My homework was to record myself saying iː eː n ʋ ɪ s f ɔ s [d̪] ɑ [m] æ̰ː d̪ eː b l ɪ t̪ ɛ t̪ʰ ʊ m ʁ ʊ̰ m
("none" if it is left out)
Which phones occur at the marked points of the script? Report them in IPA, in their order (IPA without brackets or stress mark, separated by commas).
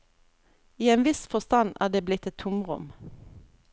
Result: t̪, n